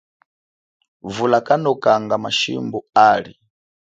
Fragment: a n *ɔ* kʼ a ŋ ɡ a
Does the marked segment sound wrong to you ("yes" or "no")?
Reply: no